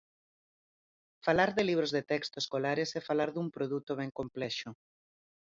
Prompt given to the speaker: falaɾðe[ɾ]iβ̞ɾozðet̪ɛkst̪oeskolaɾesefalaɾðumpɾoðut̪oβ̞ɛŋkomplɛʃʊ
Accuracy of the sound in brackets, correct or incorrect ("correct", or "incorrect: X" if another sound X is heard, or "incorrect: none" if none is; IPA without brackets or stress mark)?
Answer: incorrect: l